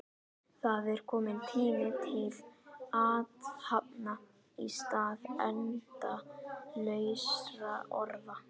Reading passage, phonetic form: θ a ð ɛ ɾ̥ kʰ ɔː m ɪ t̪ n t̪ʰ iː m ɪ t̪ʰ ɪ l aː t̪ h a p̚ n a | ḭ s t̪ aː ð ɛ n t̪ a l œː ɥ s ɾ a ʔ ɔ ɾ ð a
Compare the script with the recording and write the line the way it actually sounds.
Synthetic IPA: θ a ð ɛ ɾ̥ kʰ ɔː m ɪ n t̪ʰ iː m ɪ t̪ʰ ɪ l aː t̪ h a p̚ n a | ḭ s t̪ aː ð ɛ n t̪ a l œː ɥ s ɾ a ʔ ɔ ɾ ð a